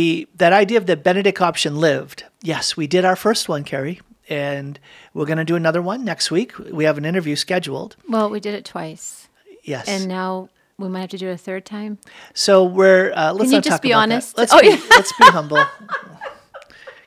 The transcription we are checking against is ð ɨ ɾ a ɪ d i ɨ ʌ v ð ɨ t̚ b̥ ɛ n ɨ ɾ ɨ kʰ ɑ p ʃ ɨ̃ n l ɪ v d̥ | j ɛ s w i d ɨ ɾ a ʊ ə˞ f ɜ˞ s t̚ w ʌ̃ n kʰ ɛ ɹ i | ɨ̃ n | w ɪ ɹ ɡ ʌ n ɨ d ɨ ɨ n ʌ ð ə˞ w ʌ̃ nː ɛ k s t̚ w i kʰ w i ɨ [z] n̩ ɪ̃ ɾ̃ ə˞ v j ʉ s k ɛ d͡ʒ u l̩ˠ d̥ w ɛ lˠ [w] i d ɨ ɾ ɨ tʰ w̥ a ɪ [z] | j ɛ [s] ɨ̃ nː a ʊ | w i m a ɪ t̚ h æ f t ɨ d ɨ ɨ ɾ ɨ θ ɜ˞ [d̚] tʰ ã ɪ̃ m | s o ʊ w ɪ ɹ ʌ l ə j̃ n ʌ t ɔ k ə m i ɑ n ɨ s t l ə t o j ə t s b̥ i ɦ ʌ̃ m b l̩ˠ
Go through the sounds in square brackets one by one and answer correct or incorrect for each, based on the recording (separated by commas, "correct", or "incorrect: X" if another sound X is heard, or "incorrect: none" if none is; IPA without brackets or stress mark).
incorrect: v, correct, incorrect: s, correct, correct